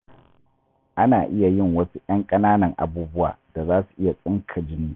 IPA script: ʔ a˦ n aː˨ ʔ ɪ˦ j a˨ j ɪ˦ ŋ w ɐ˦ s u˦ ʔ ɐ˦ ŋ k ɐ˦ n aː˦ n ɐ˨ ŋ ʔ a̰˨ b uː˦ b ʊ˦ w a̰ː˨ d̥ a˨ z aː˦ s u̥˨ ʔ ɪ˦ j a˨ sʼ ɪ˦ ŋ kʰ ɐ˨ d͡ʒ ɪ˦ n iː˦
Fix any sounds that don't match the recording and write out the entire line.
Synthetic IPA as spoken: ʔ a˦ n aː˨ ʔ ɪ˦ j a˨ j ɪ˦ ŋ w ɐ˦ s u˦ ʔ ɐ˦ ŋ kʼ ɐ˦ n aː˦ n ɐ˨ ŋ ʔ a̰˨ b uː˦ b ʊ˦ w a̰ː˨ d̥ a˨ z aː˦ s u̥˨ ʔ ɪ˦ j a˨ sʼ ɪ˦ ŋ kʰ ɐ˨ d͡ʒ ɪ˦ n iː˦